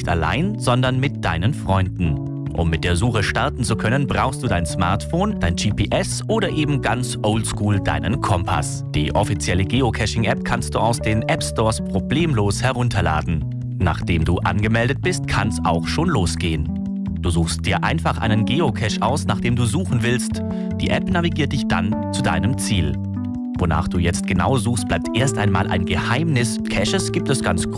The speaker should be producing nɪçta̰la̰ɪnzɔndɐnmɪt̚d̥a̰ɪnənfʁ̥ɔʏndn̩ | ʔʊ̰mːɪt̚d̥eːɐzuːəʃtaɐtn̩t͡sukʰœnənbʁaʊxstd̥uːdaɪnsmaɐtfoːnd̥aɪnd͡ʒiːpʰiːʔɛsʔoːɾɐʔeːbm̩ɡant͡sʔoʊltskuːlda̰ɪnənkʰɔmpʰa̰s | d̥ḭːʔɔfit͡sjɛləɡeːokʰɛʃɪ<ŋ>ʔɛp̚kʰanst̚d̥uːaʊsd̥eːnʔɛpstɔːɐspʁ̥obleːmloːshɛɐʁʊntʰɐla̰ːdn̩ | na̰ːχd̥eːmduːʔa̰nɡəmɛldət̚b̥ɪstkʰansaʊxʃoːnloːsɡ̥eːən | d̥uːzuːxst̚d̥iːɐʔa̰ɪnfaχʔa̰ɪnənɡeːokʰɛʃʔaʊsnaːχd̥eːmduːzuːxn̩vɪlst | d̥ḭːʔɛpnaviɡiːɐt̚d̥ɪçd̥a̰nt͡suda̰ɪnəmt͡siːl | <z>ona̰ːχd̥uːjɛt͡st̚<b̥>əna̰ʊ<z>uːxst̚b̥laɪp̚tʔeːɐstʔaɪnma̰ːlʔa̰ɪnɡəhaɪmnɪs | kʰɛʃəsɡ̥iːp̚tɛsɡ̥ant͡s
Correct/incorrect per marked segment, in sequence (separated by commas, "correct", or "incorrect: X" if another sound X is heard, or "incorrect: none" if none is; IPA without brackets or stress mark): correct, incorrect: v, incorrect: ɡ̥, correct